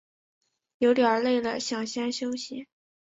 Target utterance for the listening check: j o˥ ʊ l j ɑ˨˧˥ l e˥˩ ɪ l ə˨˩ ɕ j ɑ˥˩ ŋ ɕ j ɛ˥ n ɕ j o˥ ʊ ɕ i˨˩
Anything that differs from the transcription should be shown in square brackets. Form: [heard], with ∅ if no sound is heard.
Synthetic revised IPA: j [o˧˥] ʊ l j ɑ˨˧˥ l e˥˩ ɪ l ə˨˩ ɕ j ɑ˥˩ ŋ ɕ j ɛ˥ n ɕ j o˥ ʊ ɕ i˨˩